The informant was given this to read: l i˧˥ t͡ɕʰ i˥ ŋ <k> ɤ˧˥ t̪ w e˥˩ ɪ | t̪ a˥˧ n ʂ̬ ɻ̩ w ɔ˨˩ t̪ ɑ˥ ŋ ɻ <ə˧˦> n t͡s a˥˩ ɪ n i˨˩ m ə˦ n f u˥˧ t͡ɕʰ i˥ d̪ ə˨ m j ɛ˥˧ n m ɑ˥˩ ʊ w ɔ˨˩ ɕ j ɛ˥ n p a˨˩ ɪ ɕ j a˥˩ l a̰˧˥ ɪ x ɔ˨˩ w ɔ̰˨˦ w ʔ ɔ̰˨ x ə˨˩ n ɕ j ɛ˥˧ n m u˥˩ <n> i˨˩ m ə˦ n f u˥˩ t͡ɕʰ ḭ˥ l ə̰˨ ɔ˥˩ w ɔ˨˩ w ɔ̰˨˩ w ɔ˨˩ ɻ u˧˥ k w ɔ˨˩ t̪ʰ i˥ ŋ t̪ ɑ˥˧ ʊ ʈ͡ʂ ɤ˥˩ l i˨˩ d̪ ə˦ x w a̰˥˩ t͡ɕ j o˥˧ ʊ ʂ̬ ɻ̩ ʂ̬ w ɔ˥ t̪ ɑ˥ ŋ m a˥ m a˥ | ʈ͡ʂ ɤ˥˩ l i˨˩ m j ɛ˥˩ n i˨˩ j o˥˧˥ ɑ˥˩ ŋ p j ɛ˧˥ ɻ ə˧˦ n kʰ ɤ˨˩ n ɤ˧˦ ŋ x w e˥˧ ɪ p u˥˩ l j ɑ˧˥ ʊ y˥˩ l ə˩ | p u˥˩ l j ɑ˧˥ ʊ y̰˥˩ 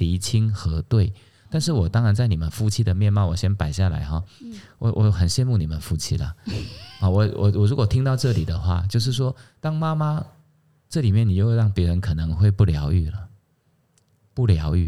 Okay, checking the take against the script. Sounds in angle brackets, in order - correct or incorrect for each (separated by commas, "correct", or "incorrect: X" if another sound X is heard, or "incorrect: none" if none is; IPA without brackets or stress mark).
incorrect: x, incorrect: a˧˦, correct